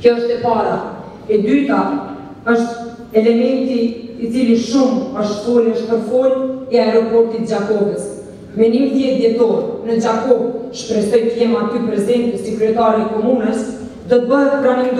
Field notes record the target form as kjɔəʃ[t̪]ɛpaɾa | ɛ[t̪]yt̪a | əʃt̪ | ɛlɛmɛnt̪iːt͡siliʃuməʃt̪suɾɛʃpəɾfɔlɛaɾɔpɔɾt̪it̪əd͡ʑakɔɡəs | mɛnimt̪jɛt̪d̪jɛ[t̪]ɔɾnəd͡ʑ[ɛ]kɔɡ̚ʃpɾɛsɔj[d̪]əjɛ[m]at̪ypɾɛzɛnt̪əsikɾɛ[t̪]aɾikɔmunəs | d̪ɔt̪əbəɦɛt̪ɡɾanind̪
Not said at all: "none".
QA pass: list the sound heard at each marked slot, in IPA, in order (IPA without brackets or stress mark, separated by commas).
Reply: t̪, d̪, t̪, a, t̪, m, t̪